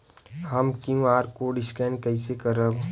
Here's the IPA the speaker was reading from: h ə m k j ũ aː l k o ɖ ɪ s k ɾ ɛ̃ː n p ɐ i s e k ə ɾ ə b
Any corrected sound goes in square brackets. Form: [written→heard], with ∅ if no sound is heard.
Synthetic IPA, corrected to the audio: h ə m k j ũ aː [l→ɾ] k o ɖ ɪ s k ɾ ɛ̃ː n [p→k] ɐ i s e k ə ɾ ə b